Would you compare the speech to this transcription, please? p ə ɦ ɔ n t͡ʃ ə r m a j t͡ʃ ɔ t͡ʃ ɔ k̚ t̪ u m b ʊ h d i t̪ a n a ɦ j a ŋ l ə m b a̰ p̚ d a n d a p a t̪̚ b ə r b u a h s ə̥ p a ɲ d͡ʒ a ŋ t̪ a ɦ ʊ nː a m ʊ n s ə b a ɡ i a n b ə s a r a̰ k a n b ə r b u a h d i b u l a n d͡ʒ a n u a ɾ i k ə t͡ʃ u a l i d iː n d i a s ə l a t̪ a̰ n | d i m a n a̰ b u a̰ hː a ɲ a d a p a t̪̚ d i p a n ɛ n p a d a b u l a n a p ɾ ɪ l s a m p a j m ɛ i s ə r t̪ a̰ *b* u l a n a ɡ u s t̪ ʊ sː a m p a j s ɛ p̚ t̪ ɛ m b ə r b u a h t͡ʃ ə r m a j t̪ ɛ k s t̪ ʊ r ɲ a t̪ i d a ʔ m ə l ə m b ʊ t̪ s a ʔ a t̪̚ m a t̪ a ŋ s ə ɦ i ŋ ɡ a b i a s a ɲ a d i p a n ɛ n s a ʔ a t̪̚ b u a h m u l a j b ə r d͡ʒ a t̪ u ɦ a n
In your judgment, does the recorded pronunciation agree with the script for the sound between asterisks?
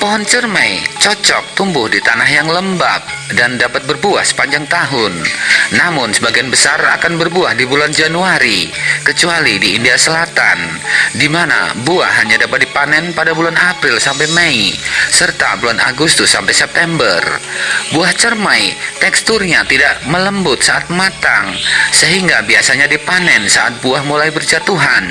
yes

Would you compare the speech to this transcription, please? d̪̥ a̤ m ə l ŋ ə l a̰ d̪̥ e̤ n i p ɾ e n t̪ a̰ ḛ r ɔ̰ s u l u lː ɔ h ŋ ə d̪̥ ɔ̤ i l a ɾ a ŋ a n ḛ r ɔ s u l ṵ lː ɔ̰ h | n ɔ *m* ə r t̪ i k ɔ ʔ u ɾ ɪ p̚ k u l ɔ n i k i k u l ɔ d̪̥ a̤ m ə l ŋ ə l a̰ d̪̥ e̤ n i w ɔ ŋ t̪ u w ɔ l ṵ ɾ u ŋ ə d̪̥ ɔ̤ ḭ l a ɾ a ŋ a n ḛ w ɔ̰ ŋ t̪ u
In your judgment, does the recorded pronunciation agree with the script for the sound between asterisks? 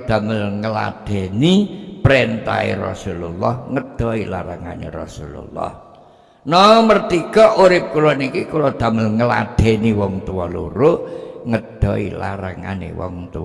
yes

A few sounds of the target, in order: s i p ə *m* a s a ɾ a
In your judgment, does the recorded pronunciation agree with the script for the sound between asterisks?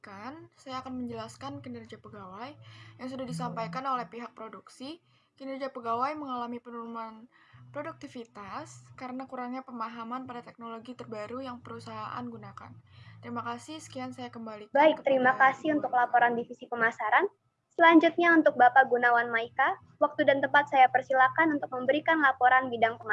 yes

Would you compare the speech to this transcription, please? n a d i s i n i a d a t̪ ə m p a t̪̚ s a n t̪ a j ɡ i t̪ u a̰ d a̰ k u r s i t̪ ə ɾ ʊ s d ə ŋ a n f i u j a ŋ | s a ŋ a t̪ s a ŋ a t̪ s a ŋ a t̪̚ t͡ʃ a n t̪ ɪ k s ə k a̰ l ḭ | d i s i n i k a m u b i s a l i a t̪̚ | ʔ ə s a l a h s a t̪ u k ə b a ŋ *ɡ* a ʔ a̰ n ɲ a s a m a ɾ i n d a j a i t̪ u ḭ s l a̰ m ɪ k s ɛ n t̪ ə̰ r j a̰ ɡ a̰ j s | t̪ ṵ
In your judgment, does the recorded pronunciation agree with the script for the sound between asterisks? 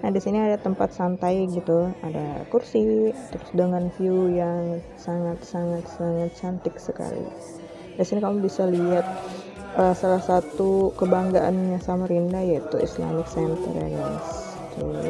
yes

